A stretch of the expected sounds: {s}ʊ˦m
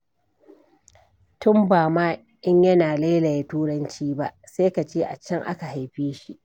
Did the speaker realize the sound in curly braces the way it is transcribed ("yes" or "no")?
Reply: no